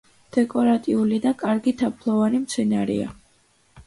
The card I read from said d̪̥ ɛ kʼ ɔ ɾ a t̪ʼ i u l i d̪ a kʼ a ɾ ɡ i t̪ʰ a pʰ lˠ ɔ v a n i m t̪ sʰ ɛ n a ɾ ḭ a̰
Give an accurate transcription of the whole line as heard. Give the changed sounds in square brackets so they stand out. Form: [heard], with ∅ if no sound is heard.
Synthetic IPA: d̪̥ ɛ kʼ ɔ ɾ a t̪ʼ i u l i d̪ a kʼ a ɾ ɡ i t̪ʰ a pʰ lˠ ɔ v a n i m t̪ sʰ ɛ n a ɾ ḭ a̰